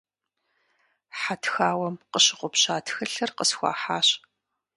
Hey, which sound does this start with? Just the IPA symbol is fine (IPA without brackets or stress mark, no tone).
ħ